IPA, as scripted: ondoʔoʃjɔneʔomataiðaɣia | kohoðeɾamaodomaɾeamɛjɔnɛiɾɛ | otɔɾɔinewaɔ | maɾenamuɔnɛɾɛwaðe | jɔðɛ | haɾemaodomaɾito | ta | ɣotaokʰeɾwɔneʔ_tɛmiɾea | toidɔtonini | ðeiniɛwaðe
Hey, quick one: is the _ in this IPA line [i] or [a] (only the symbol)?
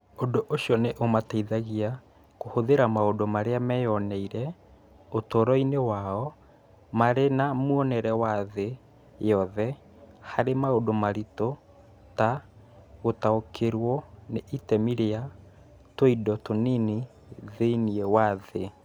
i